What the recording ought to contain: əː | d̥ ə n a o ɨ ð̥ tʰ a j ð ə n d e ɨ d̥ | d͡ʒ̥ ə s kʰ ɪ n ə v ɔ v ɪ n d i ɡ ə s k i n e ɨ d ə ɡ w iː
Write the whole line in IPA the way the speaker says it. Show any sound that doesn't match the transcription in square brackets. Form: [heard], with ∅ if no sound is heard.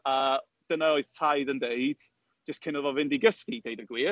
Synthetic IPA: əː | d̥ ə n a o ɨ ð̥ tʰ a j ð ə n d e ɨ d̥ | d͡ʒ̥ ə s kʰ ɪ n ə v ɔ v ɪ n d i ɡ ə s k i [d] e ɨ d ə ɡ w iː

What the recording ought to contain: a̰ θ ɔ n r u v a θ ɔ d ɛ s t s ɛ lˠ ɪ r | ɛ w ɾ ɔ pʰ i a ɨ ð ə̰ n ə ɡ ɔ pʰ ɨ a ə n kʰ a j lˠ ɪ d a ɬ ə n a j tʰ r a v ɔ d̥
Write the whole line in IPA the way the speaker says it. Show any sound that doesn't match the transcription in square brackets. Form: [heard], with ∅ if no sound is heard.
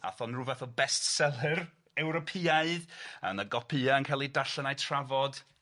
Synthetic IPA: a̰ θ ɔ n r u v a θ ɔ [b] ɛ s t s ɛ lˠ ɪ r | ɛ w ɾ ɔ pʰ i a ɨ ð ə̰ n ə ɡ ɔ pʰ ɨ a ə n kʰ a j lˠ [i] d a ɬ ə n a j tʰ r a v ɔ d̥

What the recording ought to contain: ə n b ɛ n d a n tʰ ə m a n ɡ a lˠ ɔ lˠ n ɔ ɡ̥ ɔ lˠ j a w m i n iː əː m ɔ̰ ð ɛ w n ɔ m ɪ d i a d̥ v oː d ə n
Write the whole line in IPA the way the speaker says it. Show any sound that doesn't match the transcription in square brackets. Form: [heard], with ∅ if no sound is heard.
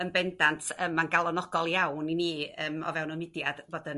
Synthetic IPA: ə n b ɛ n d a n tʰ ə m a n ɡ a lˠ ɔ [∅] n ɔ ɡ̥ ɔ lˠ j a w [n] i n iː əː m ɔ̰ [v] ɛ w n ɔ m ɪ d [j] a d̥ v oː d ə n

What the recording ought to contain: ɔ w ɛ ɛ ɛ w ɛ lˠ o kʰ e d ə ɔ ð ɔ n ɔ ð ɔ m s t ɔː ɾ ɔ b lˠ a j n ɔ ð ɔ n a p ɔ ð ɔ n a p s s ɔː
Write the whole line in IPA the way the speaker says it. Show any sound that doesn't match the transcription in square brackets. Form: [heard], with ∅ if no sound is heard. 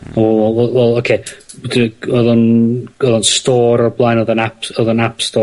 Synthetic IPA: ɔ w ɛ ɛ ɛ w ɛ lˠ o kʰ e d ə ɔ ð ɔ n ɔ ð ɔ [n] s t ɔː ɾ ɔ b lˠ a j n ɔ ð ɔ n a p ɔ ð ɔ n a p s [t] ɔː

